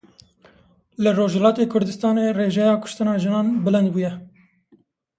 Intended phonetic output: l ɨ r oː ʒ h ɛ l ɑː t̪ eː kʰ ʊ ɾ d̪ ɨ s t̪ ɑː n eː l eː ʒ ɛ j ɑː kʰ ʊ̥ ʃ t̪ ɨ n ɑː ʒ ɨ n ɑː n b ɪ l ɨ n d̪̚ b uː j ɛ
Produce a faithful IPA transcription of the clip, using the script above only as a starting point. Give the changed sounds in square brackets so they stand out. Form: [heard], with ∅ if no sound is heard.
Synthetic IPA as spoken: l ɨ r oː ʒ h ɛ l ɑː t̪ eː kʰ ʊ ɾ d̪ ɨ s t̪ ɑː n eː [r] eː ʒ ɛ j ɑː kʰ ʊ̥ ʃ t̪ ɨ n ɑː ʒ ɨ n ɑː n b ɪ l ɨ n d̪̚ b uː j ɛ